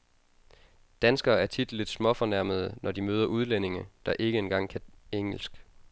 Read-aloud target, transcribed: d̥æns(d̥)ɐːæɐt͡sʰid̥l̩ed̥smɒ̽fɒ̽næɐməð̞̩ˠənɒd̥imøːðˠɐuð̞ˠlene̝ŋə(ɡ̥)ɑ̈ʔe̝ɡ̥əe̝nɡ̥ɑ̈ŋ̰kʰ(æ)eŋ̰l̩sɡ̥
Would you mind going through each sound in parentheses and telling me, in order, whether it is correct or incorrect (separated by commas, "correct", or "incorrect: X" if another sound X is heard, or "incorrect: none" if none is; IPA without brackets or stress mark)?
incorrect: ɡ̥, incorrect: d̥, correct